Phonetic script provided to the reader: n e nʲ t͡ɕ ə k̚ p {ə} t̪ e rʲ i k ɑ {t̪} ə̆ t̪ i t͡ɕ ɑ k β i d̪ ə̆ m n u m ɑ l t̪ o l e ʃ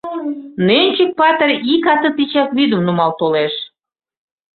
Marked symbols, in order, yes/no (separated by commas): no, yes